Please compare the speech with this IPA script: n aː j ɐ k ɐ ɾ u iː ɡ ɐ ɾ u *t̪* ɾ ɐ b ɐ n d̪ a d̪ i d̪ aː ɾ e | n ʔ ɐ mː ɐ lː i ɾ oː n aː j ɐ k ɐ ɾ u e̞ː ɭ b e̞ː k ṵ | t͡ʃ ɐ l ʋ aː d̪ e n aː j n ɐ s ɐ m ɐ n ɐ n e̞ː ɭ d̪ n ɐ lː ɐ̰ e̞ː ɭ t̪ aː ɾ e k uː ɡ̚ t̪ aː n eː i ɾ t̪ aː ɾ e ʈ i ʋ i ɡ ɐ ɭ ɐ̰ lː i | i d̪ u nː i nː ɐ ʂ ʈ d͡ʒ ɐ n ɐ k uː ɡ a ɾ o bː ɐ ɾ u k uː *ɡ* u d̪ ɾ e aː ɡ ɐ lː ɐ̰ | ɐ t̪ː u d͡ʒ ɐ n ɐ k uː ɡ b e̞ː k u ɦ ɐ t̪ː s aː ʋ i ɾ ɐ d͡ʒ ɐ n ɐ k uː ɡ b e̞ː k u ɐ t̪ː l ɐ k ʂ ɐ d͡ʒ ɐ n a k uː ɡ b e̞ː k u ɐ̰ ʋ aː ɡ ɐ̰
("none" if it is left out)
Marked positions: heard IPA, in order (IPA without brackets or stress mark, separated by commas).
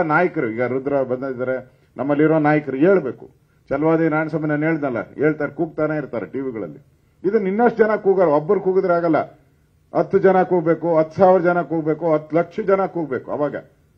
d̪, ɡ